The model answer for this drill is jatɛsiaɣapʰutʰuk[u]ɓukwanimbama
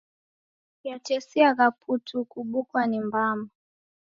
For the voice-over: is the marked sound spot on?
yes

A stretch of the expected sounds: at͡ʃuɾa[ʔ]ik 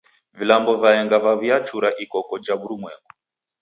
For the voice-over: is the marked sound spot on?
yes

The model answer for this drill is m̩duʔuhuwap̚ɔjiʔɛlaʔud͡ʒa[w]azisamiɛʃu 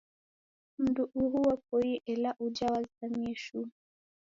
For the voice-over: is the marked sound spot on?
yes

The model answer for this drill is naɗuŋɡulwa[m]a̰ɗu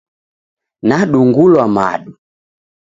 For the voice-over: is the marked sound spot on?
yes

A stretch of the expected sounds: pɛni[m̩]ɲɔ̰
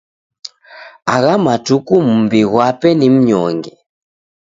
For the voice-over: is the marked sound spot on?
yes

